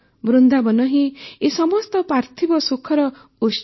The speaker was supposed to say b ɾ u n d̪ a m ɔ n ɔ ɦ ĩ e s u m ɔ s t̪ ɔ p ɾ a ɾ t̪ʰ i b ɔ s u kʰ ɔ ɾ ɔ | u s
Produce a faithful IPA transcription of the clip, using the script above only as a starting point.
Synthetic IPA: b ɾ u n d̪ a b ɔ n ɔ ɦ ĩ e s ɔ m ɔ s t̪ ɔ p ɾ a ɾ t̪ʰ i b ɔ s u kʰ ɔ ɾ ɔ | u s